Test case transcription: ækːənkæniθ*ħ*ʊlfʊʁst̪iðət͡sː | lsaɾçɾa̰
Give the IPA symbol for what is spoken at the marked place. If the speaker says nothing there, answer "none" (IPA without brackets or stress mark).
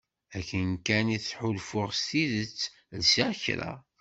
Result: ħ